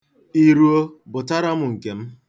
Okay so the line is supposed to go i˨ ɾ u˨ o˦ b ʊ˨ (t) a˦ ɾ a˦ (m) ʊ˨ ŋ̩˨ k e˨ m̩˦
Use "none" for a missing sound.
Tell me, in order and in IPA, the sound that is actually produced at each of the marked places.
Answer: t, m

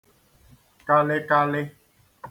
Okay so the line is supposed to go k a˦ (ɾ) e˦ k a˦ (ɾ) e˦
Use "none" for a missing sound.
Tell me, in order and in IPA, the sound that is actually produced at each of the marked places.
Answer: l, l

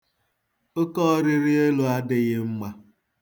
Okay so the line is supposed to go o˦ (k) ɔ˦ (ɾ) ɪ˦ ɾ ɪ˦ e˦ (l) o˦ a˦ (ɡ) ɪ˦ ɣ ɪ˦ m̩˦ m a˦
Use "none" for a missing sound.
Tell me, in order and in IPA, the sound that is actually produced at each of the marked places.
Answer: k, ɾ, l, d

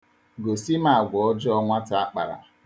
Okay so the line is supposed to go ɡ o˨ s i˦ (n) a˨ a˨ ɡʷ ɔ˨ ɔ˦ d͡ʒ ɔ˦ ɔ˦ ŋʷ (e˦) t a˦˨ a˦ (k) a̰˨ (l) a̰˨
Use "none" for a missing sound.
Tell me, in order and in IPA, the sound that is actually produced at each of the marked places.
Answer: m, a˦, k͡p, ɾ

